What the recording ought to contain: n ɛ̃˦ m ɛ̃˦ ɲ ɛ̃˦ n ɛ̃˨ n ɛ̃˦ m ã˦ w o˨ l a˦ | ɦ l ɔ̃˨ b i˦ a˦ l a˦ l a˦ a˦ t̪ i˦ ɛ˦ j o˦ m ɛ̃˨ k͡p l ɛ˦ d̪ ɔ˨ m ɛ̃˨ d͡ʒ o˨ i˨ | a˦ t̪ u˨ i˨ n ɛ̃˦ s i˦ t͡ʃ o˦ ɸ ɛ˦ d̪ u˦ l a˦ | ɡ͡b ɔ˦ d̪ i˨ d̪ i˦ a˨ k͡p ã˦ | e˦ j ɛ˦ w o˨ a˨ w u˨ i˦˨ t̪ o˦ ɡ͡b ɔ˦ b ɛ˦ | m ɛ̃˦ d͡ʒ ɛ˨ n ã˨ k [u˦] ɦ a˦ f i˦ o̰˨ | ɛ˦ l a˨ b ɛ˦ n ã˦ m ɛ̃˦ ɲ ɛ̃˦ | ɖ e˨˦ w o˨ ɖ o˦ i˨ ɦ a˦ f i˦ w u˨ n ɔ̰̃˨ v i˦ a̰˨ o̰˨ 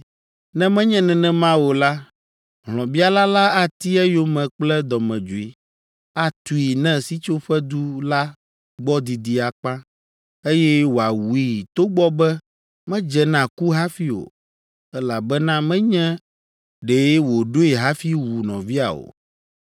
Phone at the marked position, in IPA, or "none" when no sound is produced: u˦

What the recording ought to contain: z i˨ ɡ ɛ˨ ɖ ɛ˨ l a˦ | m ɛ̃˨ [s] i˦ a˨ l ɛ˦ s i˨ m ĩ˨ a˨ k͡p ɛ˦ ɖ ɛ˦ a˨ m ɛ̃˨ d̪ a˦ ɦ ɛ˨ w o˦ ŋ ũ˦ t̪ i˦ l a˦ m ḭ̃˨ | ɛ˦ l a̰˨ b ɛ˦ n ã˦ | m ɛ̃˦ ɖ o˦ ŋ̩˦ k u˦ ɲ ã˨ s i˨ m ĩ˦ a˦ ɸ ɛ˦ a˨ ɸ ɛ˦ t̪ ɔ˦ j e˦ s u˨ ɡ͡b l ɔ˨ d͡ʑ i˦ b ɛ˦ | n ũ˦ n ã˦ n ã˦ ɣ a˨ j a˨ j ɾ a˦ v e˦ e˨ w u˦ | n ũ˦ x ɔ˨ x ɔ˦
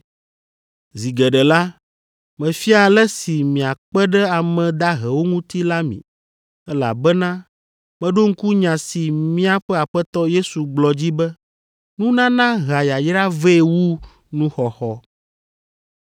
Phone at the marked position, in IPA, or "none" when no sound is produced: f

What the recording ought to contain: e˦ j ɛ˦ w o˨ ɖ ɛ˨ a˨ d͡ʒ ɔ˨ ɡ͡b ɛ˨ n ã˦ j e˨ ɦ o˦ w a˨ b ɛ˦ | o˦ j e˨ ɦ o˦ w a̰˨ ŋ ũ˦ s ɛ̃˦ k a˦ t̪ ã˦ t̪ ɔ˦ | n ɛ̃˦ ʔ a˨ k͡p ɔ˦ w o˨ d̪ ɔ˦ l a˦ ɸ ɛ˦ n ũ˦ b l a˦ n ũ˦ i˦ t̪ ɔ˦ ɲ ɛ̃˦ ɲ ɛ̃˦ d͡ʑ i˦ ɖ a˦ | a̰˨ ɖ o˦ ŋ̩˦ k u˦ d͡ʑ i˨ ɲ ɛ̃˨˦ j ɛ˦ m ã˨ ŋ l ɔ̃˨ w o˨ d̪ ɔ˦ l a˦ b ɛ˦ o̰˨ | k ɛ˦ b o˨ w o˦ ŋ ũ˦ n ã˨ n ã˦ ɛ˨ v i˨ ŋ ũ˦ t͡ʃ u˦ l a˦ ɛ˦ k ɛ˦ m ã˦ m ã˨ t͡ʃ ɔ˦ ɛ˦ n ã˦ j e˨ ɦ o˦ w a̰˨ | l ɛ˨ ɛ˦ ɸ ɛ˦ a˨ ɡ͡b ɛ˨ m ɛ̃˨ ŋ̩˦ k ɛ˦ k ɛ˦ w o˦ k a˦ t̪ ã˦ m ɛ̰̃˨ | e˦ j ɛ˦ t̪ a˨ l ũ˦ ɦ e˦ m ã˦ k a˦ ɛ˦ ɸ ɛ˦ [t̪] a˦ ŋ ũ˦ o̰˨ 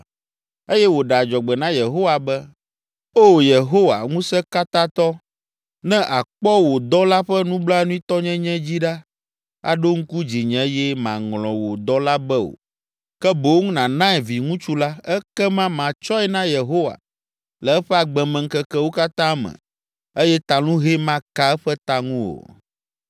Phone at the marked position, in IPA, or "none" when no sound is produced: t̪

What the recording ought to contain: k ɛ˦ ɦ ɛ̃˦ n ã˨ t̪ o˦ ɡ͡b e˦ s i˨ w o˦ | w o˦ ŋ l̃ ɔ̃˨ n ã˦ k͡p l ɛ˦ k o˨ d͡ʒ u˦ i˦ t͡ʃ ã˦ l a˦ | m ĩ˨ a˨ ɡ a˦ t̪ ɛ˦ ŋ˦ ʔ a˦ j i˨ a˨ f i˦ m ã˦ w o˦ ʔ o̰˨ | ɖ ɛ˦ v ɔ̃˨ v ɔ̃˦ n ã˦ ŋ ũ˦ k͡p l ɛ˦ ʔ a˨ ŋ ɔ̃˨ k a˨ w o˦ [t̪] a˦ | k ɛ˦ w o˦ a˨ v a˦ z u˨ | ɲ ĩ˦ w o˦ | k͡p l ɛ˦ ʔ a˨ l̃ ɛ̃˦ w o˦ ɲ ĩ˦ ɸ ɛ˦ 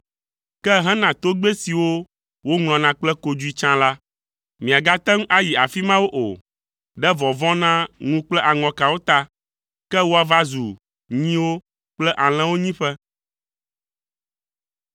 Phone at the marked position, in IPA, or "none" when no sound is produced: t̪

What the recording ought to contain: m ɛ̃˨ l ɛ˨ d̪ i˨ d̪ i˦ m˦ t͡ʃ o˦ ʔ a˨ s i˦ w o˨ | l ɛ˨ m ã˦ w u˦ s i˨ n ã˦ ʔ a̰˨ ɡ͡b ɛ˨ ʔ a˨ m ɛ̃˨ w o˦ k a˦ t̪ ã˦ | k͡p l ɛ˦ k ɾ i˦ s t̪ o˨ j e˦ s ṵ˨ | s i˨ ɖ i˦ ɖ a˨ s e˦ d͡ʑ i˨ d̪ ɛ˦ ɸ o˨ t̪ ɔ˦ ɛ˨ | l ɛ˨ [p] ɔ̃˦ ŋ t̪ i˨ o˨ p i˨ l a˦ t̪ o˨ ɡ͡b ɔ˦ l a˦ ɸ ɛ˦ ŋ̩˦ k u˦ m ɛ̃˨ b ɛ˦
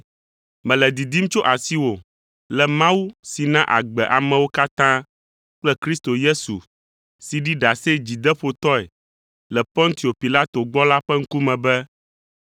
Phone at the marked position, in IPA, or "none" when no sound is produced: p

